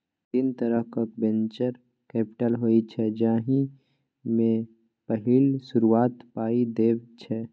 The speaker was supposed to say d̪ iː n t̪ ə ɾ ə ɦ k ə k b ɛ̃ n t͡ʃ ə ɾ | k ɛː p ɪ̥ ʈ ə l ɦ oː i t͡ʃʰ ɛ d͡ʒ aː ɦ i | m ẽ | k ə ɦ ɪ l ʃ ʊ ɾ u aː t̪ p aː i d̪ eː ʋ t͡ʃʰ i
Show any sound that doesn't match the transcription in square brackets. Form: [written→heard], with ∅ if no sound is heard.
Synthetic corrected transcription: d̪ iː n t̪ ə ɾ ə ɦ k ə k b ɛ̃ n t͡ʃ ə ɾ | k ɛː p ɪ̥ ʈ ə l ɦ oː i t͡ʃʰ ɛ d͡ʒ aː ɦ i | m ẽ | [k→p] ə ɦ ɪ l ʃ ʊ ɾ u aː t̪ p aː i d̪ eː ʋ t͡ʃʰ [i→ɛ]